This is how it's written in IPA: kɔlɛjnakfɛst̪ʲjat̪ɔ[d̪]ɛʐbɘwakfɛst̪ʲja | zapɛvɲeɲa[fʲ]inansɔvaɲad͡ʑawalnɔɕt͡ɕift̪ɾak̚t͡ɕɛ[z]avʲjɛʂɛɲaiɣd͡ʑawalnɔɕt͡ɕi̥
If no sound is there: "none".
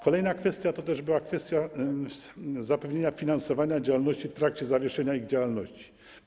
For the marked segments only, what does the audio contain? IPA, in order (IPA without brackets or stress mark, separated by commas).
t̪, fʲ, z